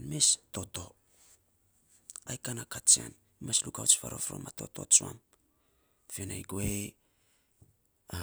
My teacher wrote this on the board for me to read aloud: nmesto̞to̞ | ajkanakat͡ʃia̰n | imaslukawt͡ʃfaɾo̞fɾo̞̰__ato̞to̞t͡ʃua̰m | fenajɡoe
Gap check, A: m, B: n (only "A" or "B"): A